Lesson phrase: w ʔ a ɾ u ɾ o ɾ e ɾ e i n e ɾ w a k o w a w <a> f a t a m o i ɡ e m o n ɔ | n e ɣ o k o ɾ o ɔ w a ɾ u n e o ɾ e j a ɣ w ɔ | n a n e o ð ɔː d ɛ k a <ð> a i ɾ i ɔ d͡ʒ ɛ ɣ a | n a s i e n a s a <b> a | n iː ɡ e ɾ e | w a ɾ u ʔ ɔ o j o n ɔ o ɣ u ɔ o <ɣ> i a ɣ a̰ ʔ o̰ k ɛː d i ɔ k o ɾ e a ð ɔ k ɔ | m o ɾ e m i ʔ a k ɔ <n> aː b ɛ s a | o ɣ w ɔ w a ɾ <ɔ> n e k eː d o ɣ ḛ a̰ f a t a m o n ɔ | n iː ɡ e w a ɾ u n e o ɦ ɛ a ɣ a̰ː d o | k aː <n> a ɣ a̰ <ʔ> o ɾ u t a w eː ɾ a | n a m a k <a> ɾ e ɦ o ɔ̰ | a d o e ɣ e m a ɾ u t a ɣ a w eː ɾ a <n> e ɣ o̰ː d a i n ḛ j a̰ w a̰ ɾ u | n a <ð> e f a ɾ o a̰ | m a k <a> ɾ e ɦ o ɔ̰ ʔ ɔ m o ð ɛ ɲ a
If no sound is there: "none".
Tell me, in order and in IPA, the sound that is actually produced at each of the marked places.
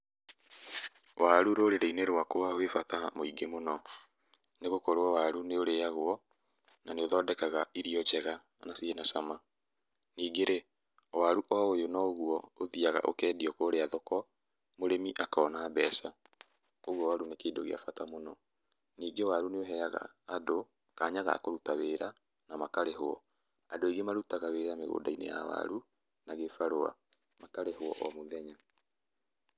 e, ɣ, m, ð, n, u, ɲ, k, a, m, ɣ, a

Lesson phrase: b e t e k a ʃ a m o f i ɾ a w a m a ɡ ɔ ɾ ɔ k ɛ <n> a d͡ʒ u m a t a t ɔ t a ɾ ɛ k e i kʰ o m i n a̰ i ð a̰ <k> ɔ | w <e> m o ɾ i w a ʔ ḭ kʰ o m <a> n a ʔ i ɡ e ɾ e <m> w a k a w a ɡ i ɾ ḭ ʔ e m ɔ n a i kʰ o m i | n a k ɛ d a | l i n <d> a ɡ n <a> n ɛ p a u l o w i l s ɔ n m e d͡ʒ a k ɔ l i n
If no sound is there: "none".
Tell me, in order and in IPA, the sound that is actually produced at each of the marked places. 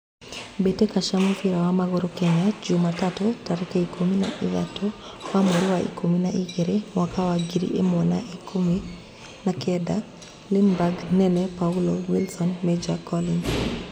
ɲ, t, a, i, m, b, ɛ

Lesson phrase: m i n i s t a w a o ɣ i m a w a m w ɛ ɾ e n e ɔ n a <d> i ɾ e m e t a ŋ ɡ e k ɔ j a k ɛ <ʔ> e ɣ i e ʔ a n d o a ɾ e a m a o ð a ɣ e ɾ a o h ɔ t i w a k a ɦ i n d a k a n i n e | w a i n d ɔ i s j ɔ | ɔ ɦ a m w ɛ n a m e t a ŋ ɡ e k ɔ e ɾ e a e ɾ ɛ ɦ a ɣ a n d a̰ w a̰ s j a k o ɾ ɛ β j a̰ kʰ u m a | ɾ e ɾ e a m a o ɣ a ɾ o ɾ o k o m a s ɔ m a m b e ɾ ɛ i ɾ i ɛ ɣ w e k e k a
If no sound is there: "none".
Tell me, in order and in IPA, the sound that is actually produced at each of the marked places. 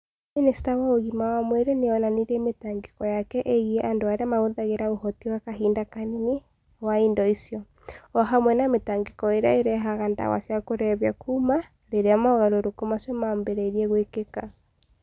n, ʔ

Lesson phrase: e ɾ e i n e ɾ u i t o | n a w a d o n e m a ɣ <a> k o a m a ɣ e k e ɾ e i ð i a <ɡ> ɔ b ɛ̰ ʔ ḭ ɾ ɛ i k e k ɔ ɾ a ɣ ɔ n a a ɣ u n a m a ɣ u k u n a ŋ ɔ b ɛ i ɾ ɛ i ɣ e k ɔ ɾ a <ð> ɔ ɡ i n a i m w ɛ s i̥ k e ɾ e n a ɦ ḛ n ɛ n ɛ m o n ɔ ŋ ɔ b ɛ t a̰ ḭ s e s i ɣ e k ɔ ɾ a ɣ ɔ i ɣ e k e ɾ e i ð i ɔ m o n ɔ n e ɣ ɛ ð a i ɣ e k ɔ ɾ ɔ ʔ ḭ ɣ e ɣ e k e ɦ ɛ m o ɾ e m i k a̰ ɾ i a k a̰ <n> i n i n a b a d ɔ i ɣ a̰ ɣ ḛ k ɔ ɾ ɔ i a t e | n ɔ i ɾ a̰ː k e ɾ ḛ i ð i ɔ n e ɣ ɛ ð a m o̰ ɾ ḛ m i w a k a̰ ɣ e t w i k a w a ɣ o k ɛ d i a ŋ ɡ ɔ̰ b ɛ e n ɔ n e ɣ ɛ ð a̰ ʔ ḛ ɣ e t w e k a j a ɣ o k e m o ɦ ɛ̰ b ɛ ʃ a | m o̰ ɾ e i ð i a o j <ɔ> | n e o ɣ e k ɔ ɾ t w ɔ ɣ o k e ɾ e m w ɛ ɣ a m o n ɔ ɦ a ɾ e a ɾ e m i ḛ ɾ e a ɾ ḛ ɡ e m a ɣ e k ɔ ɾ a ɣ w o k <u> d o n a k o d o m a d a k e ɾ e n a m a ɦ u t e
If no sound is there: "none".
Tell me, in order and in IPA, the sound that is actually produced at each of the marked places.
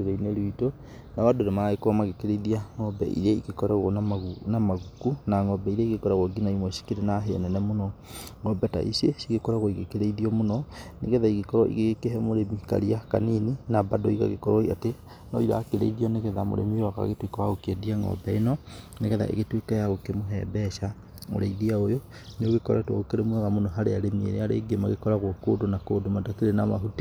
e, ŋ, ɣ, n, o, o

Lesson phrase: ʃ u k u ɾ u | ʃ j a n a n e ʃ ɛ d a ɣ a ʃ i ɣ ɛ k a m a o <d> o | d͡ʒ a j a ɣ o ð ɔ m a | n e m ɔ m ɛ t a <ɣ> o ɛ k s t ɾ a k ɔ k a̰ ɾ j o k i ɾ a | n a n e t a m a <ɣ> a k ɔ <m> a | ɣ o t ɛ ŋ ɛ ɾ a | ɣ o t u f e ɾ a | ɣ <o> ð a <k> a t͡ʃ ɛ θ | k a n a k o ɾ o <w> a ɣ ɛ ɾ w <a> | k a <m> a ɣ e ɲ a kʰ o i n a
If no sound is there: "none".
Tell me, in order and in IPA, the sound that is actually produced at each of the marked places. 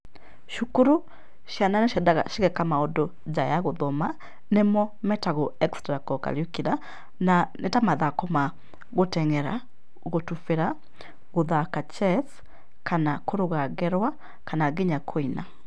d, ɣ, ð, m, o, k, ɣ, a, n

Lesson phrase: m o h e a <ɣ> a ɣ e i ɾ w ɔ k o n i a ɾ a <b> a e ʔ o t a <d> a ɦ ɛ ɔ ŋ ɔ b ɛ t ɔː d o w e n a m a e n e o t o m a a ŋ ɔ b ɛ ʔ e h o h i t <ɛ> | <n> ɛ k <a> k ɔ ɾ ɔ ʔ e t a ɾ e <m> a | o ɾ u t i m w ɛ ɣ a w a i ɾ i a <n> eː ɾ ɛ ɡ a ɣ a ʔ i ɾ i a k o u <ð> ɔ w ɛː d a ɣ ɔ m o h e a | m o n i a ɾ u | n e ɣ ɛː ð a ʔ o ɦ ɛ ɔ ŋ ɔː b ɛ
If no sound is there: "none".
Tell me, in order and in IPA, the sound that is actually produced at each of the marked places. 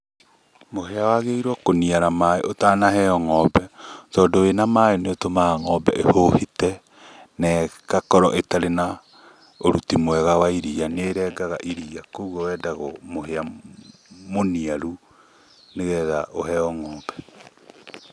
w, m, n, ɛ, n, a, n, n, ɣ

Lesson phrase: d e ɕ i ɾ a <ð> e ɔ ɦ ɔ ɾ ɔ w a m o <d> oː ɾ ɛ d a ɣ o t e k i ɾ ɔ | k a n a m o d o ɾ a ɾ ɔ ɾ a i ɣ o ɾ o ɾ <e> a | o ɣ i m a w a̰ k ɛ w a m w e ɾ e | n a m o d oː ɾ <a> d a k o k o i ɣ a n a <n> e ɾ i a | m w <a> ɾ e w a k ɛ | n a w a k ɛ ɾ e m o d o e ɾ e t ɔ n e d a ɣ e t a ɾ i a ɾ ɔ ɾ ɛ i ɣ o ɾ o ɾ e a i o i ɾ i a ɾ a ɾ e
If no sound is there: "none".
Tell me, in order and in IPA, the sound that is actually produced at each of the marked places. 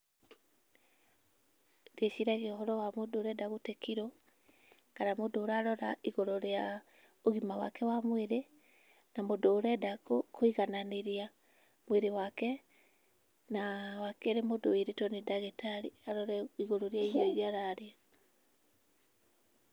ɣ, d, e, ɛ, n, e

